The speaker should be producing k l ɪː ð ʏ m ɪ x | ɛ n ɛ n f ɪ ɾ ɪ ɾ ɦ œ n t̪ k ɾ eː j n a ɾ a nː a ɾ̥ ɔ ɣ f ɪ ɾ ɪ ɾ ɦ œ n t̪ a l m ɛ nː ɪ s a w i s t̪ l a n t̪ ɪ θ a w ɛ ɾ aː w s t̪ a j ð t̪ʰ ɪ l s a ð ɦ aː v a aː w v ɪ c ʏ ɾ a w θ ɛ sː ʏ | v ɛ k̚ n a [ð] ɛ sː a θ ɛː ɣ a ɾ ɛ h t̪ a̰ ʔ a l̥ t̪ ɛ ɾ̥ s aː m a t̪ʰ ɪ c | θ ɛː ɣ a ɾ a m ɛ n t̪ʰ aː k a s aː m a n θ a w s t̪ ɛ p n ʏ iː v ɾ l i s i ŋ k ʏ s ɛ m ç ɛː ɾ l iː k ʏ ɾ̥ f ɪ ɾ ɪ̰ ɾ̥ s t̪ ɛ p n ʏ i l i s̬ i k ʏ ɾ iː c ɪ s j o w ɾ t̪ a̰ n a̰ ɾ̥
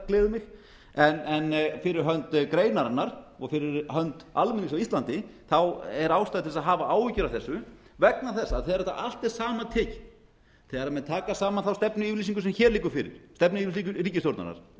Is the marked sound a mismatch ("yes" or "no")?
yes